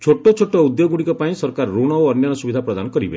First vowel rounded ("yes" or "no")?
yes